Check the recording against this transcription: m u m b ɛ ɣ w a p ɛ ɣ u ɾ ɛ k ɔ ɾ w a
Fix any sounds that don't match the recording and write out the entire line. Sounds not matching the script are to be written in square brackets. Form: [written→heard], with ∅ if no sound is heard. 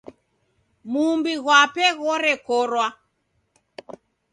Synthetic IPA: m u m b [ɛ→i] ɣ w a p ɛ ɣ [u→ɔ] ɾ ɛ k ɔ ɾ w a